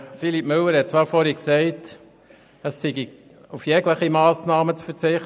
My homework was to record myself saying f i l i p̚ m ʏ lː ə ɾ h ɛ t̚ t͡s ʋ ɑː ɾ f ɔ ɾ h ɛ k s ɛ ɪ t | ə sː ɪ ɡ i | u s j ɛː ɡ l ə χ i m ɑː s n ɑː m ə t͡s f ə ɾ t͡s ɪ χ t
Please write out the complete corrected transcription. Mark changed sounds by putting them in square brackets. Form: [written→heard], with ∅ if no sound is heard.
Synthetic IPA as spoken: f i l i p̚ m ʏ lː ə ɾ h ɛ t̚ t͡s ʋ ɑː ɾ f ɔ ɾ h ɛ k s ɛ ɪ t | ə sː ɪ ɡ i | u [s→f] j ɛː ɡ l ə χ i m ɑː s n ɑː m ə t͡s f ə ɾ t͡s ɪ χ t